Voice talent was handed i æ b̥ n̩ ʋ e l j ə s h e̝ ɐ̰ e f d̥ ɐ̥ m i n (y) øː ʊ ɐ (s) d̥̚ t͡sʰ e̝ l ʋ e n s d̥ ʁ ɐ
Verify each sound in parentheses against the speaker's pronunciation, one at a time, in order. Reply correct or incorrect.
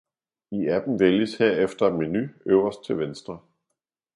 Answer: correct, correct

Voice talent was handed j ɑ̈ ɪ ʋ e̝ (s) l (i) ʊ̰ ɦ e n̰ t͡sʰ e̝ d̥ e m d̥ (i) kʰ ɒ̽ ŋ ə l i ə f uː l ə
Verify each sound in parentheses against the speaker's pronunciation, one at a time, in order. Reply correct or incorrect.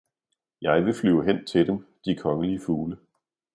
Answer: incorrect, incorrect, correct

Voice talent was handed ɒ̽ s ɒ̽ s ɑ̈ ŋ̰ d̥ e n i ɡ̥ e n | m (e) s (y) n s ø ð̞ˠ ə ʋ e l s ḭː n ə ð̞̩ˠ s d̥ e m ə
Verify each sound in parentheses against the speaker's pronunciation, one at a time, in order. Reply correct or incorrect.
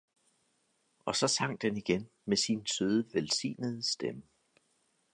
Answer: correct, incorrect

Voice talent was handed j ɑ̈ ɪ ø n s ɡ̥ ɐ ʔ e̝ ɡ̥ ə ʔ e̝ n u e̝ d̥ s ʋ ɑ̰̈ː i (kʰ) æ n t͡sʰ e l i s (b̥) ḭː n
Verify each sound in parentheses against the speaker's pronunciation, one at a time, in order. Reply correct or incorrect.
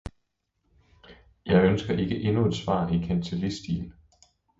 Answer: correct, incorrect

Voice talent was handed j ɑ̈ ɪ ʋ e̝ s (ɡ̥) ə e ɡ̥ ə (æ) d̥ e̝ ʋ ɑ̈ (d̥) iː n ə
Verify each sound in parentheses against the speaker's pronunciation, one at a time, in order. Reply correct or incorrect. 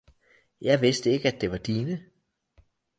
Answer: incorrect, correct, correct

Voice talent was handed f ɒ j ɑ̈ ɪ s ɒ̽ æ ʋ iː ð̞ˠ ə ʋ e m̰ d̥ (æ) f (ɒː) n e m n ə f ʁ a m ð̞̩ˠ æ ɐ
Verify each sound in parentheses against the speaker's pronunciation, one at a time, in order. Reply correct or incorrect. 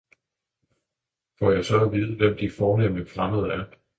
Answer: incorrect, correct

